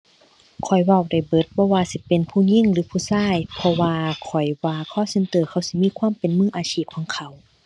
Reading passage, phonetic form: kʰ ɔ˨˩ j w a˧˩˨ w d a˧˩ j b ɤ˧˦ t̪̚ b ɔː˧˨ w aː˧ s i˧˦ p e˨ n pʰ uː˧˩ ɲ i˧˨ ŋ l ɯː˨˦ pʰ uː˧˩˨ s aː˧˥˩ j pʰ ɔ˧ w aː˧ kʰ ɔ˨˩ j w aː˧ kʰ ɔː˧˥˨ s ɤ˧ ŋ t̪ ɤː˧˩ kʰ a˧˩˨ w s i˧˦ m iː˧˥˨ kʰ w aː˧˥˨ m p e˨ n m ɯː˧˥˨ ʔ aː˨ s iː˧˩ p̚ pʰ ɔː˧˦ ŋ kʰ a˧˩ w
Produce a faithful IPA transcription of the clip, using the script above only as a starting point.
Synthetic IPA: kʰ ɔ˨˩ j w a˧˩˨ w d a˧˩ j b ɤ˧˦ t̪̚ b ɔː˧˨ w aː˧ s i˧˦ p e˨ n pʰ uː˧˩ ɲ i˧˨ ŋ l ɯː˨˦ pʰ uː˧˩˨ s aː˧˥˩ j pʰ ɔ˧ w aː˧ kʰ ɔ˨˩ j w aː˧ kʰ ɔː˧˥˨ s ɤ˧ n t̪ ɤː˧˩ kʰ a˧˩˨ w s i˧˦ m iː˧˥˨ kʰ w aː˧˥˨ m p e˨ n m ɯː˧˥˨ ʔ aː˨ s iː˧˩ p̚ kʰ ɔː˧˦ ŋ kʰ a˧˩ w

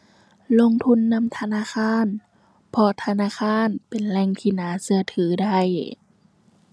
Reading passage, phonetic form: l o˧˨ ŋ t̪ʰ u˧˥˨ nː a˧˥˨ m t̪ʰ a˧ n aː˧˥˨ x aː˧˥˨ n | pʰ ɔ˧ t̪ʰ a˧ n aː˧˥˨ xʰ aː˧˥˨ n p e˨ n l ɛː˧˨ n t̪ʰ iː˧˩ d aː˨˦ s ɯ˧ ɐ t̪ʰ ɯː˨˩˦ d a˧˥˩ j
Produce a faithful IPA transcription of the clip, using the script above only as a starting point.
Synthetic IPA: l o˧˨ ŋ t̪ʰ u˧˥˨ nː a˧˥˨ m t̪ʰ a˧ n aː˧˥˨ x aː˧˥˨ n | pʰ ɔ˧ t̪ʰ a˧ n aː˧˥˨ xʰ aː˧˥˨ n p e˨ n l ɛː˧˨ ŋ t̪ʰ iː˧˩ n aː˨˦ s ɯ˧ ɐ t̪ʰ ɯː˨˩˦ d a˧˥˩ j

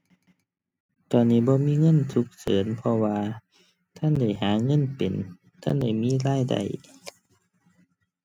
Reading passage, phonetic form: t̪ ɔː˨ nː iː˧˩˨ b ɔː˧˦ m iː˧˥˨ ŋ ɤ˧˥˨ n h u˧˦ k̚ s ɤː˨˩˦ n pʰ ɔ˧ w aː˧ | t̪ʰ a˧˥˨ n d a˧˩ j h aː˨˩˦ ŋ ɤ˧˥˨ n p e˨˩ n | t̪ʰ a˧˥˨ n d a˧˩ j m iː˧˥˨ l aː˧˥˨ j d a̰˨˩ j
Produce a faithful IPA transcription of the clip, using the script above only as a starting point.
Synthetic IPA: t̪ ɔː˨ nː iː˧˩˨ b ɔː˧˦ m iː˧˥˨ ŋ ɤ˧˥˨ n s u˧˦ k̚ s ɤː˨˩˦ n pʰ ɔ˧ w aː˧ | t̪ʰ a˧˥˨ n d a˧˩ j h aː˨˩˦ ŋ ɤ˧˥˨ n p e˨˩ n | t̪ʰ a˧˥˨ n d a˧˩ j m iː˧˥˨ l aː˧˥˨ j d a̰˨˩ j

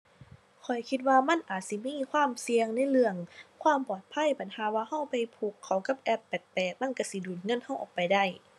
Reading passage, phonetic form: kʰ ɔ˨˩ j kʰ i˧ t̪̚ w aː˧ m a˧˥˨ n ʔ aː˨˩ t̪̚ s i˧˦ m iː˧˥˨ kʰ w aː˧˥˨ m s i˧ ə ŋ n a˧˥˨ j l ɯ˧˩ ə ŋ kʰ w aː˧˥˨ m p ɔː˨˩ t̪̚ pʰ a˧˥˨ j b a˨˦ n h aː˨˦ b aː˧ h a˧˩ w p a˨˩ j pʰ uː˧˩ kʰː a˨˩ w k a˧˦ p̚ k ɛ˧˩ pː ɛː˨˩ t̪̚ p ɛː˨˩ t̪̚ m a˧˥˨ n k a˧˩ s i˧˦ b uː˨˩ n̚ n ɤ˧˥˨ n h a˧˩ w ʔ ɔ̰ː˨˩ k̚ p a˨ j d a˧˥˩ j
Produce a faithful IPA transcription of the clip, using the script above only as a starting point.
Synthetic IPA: kʰ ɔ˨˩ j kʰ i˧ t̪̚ w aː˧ m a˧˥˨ n ʔ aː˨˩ t̪̚ s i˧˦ m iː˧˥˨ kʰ w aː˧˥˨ m s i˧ ə ŋ n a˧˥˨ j l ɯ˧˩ ə ŋ kʰ w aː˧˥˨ m p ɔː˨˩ t̪̚ pʰ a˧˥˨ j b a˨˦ n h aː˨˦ w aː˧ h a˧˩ w p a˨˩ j pʰ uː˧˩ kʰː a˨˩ w k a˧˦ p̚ ʔ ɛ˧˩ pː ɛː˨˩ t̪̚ p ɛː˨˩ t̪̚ m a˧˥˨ n k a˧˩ s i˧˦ d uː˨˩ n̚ ŋ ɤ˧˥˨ n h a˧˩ w ʔ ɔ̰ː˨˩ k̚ p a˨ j d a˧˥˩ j

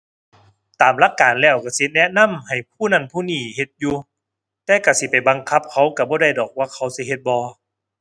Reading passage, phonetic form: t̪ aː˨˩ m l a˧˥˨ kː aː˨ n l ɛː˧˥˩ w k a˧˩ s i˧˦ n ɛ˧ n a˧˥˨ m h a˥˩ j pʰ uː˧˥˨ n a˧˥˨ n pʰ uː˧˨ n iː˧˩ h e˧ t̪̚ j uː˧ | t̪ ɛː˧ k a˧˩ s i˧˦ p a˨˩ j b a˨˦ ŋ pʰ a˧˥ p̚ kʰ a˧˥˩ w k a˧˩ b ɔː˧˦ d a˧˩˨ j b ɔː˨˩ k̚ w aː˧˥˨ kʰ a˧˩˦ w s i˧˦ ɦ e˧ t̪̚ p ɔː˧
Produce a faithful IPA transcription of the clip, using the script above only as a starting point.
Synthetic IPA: t̪ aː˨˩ m l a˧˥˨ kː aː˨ n l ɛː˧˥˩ w k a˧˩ s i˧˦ n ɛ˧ n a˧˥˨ m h a˨˩ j pʰ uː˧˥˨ n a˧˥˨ n pʰ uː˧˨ n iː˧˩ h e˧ t̪̚ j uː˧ | t̪ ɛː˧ k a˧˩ s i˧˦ p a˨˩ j b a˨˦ ŋ kʰ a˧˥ p̚ kʰ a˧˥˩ w k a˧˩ b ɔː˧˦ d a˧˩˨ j d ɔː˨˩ k̚ w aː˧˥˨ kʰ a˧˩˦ w s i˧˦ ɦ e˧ t̪̚ b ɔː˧

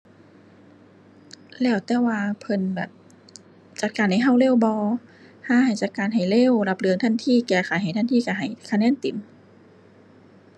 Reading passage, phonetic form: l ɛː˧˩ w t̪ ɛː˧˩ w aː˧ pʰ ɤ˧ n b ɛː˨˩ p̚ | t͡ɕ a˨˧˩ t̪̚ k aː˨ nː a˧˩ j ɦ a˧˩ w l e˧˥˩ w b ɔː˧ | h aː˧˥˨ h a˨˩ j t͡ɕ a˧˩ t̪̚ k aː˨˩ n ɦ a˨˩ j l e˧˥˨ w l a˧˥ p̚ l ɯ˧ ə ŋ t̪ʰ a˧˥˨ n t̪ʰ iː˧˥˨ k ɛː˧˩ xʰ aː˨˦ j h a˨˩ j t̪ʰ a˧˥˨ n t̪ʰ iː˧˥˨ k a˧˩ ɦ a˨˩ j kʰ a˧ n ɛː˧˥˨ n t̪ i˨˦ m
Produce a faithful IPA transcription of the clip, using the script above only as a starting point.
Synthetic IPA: l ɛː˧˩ w t̪ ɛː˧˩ w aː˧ pʰ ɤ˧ n b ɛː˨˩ p̚ | t͡ɕ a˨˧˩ t̪̚ k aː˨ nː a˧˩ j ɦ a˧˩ w l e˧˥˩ w b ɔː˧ | h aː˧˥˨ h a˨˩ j t͡ɕ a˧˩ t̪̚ k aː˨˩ n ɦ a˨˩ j l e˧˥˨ w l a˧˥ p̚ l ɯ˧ ə ŋ t̪ʰ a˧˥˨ n t̪ʰ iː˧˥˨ k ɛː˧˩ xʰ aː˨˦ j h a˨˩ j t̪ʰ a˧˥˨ n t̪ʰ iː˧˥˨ k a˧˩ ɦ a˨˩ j kʰ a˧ n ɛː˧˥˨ n t̪ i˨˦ m

